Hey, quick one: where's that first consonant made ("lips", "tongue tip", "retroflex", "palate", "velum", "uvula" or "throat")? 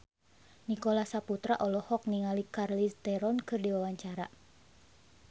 tongue tip